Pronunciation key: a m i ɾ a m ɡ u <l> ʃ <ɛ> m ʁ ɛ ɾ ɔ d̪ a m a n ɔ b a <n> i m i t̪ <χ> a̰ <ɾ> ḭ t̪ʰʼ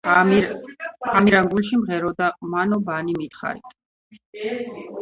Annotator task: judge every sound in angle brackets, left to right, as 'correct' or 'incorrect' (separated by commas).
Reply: correct, incorrect, correct, correct, correct